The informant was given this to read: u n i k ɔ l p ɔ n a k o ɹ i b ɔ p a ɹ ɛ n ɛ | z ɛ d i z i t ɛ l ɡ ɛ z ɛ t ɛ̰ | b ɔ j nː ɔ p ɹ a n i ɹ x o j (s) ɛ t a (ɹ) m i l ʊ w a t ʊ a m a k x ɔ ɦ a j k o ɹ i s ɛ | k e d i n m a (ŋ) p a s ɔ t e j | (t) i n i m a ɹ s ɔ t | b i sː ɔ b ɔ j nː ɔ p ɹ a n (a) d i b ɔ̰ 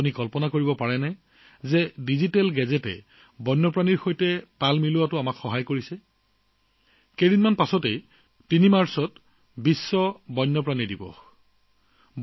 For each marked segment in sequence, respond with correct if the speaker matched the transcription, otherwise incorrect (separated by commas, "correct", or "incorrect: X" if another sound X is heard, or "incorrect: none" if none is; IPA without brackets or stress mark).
incorrect: t, incorrect: l, incorrect: n, correct, incorrect: i